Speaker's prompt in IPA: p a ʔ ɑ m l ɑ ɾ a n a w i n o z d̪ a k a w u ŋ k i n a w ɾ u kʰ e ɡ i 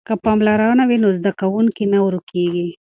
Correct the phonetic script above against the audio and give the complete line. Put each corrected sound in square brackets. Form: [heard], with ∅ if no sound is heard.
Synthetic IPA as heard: [k] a [p] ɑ m l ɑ ɾ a n a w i n o z d̪ a k a w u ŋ k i n a w ɾ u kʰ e ɡ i

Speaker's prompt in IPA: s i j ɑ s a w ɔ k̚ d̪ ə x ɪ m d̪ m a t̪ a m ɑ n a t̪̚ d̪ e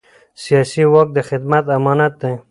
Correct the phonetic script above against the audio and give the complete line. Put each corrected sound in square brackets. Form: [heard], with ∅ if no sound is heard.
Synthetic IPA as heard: s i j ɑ s [i] w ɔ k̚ d̪ ə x ɪ [∅] d̪ m a t̪ a m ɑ n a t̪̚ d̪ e

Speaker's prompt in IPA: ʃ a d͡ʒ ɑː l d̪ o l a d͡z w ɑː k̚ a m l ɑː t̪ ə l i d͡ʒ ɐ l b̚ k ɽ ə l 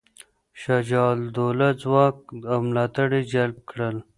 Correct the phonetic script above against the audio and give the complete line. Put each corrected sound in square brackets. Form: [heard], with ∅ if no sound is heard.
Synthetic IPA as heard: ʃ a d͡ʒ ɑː l d̪ o l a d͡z w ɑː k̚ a m l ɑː t̪ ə [ɽ] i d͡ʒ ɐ l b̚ k ɽ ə l

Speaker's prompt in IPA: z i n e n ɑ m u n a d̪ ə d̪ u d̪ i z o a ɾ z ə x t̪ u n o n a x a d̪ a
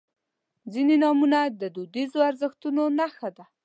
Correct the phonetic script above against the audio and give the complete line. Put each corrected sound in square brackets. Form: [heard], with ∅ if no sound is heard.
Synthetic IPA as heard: z i n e n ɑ m u n a d̪ ə d̪ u d̪ i z o a ɾ z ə x t̪ u n o n a x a d̪ a

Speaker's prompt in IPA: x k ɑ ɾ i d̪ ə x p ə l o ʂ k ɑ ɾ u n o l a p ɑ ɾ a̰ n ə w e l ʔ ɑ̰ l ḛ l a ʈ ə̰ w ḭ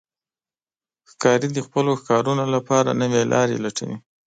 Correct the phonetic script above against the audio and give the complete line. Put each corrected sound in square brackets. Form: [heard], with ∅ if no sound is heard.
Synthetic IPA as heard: x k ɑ ɾ i d̪ ə x p ə l o [x] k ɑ ɾ u n o l a p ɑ ɾ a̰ n ə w e l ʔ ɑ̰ [ɾ] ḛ l a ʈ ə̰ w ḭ

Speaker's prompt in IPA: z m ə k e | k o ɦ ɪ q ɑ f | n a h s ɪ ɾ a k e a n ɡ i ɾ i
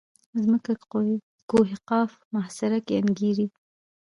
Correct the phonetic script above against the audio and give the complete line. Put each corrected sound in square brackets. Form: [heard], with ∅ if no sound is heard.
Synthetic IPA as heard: z m ə k [a] | k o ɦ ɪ q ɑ f | [m] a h s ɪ ɾ a k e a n ɡ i ɾ i

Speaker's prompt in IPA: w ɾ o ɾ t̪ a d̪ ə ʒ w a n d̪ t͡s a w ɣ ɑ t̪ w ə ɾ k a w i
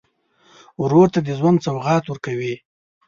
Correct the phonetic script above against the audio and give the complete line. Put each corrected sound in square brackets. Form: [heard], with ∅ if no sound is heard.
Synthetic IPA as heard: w ɾ o ɾ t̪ a d̪ ə [z] w a n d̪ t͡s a w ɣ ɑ t̪ w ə ɾ k a w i

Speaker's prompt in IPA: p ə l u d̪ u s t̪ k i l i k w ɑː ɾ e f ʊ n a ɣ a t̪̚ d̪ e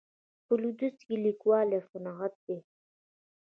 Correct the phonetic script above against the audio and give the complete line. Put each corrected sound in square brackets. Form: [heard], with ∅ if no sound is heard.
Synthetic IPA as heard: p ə l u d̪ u s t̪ k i l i k w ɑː [l] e f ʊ n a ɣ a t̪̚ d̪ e

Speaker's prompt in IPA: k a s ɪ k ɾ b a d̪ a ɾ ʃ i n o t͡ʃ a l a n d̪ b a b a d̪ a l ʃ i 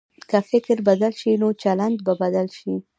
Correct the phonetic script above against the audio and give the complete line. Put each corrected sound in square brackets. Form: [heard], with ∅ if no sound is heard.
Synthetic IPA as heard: k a [f] ɪ k ɾ b a d̪ a [l] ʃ i n o t͡ʃ a l a n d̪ b a b a d̪ a l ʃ i

